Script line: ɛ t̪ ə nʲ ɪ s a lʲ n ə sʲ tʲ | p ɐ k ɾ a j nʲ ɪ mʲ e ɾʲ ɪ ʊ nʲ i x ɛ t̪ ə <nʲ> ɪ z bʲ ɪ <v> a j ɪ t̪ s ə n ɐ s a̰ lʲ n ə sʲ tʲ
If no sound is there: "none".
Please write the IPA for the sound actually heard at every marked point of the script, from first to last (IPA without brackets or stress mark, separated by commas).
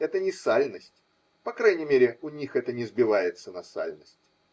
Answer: nʲ, v